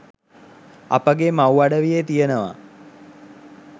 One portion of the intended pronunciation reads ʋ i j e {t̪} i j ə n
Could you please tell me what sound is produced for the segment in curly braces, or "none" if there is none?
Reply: t̪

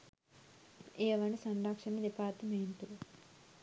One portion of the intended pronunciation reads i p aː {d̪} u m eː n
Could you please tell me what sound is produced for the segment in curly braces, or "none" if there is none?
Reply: t̪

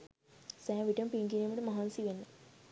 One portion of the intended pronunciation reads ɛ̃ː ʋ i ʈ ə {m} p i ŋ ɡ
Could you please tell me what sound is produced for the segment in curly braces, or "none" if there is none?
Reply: m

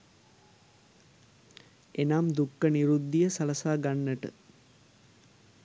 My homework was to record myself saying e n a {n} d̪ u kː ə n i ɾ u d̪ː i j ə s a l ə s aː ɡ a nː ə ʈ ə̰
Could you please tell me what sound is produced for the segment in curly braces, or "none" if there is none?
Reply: m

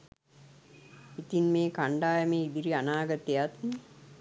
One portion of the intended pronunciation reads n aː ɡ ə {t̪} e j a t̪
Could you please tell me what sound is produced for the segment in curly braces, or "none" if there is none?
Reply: t̪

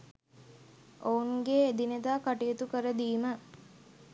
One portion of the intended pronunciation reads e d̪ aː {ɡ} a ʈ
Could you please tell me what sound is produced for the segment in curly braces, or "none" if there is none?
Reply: k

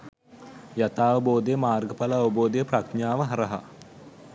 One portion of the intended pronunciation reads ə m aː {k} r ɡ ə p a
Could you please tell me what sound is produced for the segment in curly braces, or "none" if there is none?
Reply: none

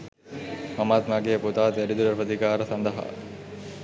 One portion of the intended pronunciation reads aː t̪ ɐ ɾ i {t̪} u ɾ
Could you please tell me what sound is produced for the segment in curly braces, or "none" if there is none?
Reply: d̪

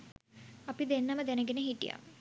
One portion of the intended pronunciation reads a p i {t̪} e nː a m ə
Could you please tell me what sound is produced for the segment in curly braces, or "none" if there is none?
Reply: d̪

